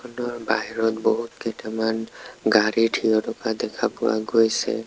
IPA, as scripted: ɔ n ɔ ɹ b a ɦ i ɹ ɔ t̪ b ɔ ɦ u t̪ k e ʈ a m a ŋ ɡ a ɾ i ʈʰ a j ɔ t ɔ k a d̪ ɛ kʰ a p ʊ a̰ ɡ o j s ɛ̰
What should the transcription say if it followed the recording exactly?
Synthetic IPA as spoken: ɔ n ɔ ɹ b a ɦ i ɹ ɔ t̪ b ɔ ɦ u t̪ k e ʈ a m a n ɡ a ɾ i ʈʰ i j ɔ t ɔ k a d̪ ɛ kʰ a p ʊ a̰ ɡ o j s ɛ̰